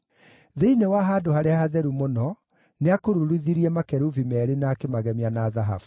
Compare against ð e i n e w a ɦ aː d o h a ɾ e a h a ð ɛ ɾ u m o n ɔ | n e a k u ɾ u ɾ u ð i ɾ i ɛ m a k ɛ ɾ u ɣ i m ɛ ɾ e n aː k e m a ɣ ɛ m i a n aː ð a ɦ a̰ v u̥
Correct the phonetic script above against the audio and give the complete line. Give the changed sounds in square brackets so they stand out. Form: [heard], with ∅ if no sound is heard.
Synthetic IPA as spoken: ð e i n e w a ɦ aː d o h a ɾ e a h a ð ɛ ɾ u m o n ɔ | n e a k [o] ɾ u ɾ u ð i ɾ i ɛ m a k ɛ ɾ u [v] i m ɛ ɾ e n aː k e m a ɣ ɛ m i a n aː ð a ɦ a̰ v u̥